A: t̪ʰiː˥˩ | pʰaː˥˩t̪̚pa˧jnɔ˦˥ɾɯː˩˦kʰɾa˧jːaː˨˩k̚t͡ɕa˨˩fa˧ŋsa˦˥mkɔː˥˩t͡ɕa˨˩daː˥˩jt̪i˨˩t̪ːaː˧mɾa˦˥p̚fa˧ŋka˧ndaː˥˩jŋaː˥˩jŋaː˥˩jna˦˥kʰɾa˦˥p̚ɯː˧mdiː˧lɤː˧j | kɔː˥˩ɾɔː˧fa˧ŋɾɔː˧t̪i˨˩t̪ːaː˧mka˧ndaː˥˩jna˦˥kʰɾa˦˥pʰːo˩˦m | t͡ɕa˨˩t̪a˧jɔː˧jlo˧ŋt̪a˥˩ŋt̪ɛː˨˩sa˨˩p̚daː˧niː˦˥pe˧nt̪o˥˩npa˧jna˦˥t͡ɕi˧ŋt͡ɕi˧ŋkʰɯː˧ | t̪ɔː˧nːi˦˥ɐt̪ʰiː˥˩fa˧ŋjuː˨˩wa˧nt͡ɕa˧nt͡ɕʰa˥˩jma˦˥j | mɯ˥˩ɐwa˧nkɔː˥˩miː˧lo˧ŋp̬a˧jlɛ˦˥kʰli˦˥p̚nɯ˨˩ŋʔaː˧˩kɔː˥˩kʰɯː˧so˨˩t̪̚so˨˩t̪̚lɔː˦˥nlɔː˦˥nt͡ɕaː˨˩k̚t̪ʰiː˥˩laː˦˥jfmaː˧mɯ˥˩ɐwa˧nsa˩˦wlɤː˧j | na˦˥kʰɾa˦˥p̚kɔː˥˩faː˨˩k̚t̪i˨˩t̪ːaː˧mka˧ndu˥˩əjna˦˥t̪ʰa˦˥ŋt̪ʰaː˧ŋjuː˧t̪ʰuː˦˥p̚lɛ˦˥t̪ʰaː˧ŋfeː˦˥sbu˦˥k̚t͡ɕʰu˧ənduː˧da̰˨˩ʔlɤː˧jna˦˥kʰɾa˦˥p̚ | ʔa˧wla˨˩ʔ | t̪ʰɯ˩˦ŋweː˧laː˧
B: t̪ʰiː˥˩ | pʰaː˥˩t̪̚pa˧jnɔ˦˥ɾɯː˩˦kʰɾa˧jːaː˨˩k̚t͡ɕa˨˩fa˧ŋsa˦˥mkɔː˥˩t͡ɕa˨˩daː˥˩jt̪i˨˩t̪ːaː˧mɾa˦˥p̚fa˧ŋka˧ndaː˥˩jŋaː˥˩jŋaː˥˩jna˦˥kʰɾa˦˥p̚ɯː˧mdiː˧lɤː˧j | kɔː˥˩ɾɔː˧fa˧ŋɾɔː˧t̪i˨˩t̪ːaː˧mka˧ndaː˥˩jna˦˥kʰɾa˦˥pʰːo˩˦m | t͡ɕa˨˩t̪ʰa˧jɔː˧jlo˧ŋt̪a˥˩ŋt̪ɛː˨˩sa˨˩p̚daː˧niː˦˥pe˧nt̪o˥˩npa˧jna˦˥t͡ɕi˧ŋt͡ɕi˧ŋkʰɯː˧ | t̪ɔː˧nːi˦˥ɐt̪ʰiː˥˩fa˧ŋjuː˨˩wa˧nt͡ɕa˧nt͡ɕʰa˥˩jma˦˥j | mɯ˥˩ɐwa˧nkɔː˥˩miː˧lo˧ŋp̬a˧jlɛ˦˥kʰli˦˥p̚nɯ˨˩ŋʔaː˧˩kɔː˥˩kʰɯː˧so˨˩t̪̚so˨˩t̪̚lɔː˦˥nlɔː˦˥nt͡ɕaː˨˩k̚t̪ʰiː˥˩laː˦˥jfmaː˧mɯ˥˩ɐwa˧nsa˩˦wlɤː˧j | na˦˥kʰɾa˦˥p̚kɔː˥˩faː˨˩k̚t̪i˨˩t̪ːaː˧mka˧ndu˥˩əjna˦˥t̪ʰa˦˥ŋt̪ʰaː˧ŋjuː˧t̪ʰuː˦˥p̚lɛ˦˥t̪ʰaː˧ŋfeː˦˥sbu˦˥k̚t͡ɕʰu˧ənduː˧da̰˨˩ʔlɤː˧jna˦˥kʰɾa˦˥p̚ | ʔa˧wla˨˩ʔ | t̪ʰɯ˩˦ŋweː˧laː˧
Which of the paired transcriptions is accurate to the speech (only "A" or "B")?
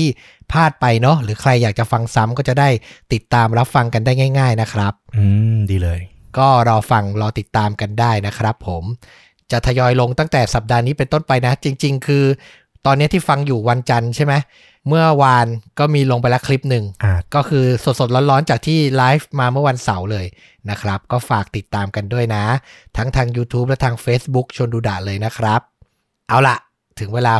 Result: B